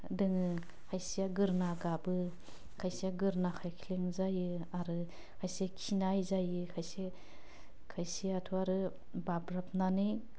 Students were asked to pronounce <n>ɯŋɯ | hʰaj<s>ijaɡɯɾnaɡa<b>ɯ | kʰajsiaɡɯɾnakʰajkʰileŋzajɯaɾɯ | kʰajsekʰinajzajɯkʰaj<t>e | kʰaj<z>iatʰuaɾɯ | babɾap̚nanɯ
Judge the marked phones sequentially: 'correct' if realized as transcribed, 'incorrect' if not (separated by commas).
incorrect, correct, correct, incorrect, incorrect